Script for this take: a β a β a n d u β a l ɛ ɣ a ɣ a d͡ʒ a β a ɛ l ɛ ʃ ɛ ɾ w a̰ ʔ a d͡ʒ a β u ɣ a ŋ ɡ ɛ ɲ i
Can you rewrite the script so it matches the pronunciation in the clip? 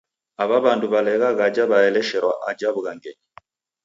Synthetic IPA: a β a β a n d u β a l ɛ ɣ a ɣ a d͡ʒ a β a ɛ l ɛ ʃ ɛ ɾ w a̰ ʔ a d͡ʒ a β u ɣ a ŋ ɡ ɛ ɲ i